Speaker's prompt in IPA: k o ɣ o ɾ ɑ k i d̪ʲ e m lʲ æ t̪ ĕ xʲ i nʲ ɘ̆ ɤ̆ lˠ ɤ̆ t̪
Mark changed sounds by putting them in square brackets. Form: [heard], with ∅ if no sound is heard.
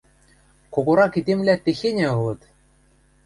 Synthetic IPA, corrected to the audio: k o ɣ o ɾ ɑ k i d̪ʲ e m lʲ æ t̪ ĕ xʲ [e] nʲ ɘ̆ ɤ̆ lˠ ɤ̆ t̪